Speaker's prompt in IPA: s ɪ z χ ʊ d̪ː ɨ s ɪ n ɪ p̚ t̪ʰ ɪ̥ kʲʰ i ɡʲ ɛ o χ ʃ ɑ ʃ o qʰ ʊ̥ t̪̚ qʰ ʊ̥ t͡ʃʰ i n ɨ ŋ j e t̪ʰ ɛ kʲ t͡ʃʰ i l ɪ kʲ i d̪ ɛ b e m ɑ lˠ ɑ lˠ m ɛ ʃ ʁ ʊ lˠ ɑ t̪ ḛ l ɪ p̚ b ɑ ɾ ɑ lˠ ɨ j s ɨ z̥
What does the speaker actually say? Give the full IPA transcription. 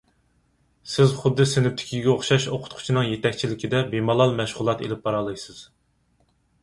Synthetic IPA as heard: s ɪ z χ ʊ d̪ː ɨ s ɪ n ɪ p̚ t̪ʰ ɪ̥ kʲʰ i ɡʲ ɛ o χ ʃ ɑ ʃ o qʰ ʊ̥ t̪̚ qʰ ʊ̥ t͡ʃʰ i n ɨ ŋ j e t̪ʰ ɛ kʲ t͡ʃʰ i l ɪ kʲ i d̪ ɛ b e m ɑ lˠ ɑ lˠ m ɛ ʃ ʁ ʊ lˠ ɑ t̪ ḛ l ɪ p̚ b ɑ ɾ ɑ lˠ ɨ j s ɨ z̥

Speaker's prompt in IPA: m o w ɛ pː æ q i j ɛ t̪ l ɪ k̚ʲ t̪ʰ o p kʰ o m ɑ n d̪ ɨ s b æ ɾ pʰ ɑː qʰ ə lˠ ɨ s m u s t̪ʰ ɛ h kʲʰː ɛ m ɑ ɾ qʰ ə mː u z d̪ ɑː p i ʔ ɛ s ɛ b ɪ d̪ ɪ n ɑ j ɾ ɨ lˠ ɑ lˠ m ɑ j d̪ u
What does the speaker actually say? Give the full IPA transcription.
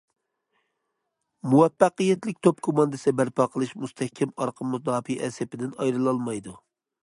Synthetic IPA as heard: m u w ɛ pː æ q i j ɛ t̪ l ɪ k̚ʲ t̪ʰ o p kʰ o m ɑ n d̪ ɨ s b æ ɾ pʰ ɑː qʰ ə lˠ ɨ ʃ m u s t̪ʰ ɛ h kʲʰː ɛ m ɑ ɾ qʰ ə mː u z d̪ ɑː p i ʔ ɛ s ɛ p ɪ d̪ ɪ n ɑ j ɾ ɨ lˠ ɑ lˠ m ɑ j d̪ u

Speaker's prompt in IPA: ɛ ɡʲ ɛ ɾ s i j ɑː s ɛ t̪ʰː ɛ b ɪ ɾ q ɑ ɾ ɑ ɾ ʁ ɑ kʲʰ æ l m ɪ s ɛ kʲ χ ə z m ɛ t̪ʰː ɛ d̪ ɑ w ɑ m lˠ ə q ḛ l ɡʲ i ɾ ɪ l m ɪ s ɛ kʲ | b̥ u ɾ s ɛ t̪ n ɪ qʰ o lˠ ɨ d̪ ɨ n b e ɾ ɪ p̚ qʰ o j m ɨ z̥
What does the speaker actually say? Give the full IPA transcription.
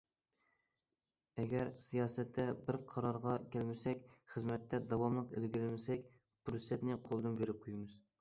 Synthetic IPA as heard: ɛ ɡʲ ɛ ɾ s i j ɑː s ɛ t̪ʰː ɛ b ɪ ɾ qʰ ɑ ɾ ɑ ɾ ʁ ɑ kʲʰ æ l m ɪ s ɛ kʲ χ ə z m ɛ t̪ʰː ɛ d̪ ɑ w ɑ m lˠ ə q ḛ l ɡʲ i ɾ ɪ l m ɪ s ɛ kʲ | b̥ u ɾ s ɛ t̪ n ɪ qʰ o lˠ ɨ d̪ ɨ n b e ɾ ɪ p̚ qʰ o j m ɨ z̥

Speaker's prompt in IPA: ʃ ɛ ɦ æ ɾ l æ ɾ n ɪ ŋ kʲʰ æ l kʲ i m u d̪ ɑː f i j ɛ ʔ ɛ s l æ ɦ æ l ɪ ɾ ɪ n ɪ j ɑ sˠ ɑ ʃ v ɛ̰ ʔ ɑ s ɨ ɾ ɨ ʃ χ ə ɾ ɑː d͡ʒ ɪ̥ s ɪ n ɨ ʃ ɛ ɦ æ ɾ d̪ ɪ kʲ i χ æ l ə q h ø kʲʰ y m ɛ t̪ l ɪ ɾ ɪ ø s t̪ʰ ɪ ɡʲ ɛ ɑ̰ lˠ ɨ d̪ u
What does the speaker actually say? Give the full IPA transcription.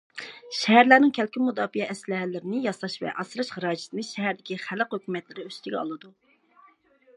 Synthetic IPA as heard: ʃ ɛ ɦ æ ɾ l æ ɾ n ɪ ŋ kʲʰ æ l kʲ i m u d̪ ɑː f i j ɛ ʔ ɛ s l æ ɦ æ l ɪ ɾ ɪ n ɪ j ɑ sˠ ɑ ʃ v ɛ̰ ʔ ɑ s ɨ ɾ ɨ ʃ χ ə ɾ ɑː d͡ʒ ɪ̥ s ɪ n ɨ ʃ ɛ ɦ æ ɾ d̪ ɪ kʲ i χ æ l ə q h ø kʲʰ y m ɛ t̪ l ɪ ɾ ɪ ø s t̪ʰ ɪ ɡʲ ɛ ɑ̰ lˠ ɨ d̪ u

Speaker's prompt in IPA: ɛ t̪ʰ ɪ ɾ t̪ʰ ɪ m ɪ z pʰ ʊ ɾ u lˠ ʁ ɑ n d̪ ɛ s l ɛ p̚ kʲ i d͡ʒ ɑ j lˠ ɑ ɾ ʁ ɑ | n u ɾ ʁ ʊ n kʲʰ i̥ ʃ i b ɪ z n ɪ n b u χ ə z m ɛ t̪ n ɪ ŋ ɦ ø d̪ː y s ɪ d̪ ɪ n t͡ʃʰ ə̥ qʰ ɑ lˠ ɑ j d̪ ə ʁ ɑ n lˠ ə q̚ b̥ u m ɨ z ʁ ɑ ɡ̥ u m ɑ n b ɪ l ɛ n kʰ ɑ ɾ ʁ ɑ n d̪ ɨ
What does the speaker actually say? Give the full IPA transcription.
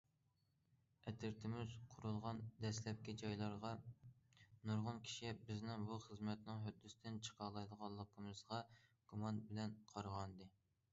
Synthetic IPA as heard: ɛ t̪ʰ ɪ ɾ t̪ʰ ɪ m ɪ z qʰ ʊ ɾ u lˠ ʁ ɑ n d̪ ɛ s l ɛ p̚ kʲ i d͡ʒ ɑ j lˠ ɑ ɾ ʁ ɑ | n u ɾ ʁ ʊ n kʲʰ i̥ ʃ i b ɪ z n ɪ ŋ b u χ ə z m ɛ t̪ n ɪ ŋ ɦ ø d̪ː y s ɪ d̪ ɪ n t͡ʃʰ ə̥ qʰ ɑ lˠ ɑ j d̪ ə ʁ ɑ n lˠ ə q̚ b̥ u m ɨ z ʁ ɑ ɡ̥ u m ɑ n b ɪ l ɛ n qʰ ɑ ɾ ʁ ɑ n d̪ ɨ

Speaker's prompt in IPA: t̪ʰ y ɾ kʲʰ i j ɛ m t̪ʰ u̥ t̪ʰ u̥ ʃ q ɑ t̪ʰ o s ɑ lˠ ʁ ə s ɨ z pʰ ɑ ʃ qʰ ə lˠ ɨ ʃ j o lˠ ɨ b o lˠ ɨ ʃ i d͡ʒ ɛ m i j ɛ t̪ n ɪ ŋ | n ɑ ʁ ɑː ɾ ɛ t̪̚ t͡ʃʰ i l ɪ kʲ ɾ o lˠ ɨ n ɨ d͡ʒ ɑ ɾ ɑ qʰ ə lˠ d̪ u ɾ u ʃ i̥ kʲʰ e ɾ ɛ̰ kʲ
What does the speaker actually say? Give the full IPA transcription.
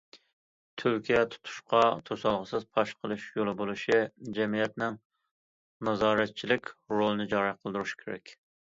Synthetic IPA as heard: t̪ʰ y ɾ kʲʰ i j ɛ t̪ʰ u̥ t̪ʰ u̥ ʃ q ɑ t̪ʰ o s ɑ lˠ ʁ ə s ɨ z pʰ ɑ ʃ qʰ ə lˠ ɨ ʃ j o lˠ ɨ b o lˠ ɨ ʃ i d͡ʒ ɛ m i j ɛ t̪ n ɪ ŋ | n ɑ z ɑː ɾ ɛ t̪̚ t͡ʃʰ i l ɪ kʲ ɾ o lˠ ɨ n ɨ d͡ʒ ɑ ɾ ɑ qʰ ə lˠ d̪ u ɾ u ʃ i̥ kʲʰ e ɾ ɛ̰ kʲ

